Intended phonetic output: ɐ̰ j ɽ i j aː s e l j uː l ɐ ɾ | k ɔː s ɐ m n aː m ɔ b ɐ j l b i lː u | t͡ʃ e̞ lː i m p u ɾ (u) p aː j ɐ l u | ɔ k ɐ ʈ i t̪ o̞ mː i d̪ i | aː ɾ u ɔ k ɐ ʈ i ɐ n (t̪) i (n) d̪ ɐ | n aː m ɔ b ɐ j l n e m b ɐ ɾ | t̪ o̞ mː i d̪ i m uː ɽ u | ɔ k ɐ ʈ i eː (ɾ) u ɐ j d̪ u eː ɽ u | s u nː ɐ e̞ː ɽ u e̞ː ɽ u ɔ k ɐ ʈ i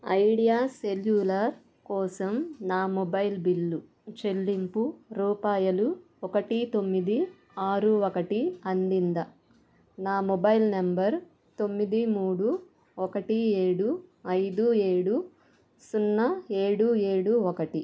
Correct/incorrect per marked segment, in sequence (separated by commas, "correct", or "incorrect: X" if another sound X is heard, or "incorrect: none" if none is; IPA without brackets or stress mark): incorrect: uː, incorrect: d̪, correct, incorrect: ɽ